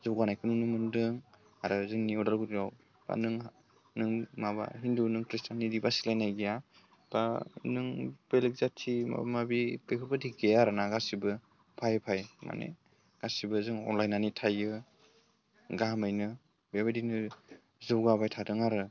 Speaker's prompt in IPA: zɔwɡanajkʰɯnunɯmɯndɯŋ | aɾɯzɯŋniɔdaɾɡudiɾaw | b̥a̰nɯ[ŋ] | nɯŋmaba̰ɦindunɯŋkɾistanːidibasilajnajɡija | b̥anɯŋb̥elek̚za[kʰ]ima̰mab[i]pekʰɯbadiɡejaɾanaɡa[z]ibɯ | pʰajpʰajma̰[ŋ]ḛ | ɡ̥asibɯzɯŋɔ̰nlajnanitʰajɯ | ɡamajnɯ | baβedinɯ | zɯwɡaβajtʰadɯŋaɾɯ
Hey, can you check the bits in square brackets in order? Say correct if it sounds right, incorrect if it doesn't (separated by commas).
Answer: correct, incorrect, correct, incorrect, incorrect